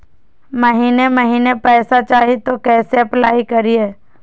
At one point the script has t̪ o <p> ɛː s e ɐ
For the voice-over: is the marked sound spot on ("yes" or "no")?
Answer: no